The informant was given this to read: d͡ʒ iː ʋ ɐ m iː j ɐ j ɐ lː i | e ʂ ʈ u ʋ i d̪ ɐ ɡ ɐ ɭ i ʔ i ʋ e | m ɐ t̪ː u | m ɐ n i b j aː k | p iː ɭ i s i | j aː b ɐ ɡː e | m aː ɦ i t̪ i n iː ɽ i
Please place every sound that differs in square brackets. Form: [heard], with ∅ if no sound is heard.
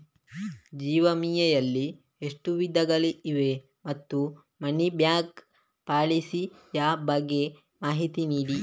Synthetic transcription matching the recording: d͡ʒ iː ʋ ɐ m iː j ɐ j ɐ lː i | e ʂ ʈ u ʋ i d̪ ɐ ɡ ɐ ɭ i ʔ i ʋ e | m ɐ t̪ː u | m ɐ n i b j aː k | p [aː] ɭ i s i | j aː b ɐ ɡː e | m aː ɦ i t̪ i n iː ɽ i